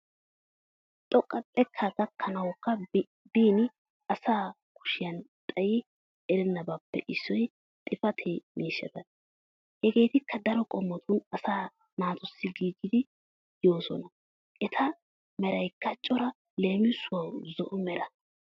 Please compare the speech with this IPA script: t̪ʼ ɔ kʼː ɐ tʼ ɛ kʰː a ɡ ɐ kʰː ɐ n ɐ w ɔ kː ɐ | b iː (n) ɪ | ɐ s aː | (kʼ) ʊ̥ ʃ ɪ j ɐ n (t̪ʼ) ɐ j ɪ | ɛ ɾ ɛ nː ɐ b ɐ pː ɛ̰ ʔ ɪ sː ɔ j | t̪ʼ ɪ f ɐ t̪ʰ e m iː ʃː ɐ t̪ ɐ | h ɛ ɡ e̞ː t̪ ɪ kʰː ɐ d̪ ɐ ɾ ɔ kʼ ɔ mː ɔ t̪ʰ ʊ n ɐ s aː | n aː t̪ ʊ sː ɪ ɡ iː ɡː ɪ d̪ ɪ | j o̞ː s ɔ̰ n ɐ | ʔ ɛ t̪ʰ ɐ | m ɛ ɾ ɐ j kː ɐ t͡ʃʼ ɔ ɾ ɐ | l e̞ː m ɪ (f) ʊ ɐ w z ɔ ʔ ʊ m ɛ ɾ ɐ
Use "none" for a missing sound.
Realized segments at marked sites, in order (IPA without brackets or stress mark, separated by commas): n, k, t̪ʼ, s